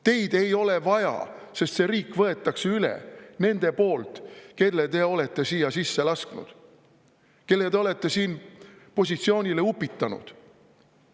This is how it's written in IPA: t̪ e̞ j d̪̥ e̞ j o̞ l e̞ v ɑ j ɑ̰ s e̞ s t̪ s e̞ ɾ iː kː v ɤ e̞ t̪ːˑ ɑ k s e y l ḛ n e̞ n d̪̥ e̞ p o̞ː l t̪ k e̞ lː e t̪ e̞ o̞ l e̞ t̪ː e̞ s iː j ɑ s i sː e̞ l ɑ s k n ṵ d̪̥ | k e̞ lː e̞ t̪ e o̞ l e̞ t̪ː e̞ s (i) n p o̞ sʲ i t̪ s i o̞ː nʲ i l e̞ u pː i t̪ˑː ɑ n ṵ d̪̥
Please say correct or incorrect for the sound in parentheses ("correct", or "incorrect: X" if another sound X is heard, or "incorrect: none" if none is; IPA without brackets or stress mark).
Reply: incorrect: iː